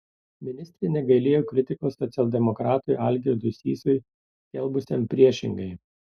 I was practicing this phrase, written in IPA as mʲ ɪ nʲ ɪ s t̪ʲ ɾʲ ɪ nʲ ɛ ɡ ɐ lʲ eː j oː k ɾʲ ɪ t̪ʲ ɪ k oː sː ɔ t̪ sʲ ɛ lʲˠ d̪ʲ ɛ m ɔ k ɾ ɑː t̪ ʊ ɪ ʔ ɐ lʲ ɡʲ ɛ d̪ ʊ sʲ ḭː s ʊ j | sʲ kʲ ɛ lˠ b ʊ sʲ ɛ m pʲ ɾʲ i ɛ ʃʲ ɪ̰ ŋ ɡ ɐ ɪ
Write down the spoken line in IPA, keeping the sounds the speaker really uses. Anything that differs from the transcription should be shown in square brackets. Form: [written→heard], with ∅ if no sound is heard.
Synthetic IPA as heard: mʲ ɪ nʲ ɪ s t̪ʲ ɾʲ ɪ nʲ ɛ ɡ ɐ lʲ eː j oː k ɾʲ ɪ t̪ʲ ɪ k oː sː ɔ t̪ sʲ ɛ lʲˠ d̪ʲ ɛ m ɔ k ɾ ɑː t̪ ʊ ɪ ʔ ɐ lʲ ɡʲ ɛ d̪ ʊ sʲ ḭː s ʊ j | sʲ kʲ ɛ lˠ b ʊ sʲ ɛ m pʲ ɾʲ i ɛ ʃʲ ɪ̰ ŋ ɡ ɐ ɪ